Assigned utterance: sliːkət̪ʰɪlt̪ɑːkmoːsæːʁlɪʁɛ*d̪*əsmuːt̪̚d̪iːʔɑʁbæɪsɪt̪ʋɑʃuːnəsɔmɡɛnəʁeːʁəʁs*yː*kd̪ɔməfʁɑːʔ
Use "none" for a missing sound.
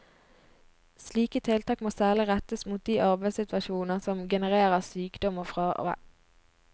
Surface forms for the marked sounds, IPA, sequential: t̪, yː

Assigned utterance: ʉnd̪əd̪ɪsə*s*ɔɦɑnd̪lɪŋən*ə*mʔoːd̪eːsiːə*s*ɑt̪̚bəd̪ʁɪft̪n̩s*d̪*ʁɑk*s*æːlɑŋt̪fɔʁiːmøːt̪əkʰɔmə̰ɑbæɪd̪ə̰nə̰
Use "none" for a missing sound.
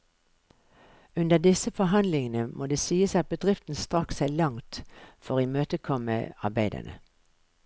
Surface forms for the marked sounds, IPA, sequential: f, ə, s, t̪, s

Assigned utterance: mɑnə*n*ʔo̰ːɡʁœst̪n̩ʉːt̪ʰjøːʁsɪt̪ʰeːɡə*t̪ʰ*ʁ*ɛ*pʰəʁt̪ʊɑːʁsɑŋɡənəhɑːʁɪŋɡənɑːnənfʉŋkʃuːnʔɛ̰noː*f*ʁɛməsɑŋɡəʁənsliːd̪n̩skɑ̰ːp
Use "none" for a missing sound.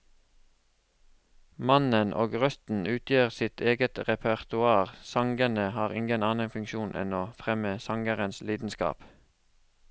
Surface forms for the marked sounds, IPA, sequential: n, t̪, ɛ, f

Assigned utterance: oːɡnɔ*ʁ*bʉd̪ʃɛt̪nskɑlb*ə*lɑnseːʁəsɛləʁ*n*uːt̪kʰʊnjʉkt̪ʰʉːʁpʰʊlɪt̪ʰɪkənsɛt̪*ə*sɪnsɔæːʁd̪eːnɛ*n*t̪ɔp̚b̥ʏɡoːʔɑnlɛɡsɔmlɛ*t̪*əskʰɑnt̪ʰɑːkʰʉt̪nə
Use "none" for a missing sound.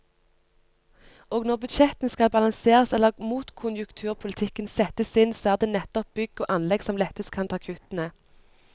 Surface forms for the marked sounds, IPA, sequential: ʁ, ɑ, m, ə, none, t̪

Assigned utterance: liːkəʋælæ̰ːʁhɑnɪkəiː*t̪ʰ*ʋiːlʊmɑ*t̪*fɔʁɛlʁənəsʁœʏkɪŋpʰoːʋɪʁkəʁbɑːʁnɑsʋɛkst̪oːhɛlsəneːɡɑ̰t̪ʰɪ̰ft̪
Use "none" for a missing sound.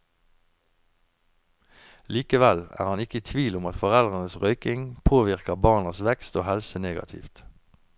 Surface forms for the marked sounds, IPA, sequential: t̪ʰ, t̪

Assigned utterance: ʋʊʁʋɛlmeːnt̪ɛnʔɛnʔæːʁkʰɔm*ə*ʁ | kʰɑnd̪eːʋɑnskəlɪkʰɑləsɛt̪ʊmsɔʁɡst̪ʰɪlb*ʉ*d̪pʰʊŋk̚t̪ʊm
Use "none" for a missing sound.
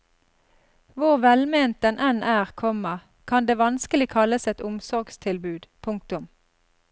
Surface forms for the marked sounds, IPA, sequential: ə, ʉː

